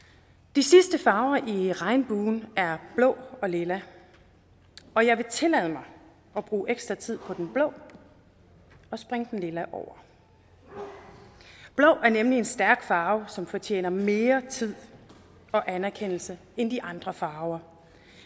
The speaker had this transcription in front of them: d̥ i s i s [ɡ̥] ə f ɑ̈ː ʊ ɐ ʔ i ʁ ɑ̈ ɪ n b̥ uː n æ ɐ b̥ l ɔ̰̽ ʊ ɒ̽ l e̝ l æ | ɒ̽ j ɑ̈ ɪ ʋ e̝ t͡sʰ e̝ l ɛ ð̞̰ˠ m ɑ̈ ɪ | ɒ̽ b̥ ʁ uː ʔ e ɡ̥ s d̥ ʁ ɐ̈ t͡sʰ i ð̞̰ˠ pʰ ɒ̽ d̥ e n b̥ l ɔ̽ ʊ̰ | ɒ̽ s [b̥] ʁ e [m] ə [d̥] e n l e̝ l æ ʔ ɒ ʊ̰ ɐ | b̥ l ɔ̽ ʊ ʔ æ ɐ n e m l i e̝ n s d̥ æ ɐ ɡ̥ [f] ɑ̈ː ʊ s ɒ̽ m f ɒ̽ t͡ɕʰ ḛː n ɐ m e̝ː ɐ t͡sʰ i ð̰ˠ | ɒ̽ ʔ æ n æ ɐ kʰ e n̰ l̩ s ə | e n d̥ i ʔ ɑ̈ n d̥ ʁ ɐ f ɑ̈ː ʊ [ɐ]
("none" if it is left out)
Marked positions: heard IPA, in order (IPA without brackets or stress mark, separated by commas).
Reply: d̥, b̥, ŋ, d̥, f, ɐ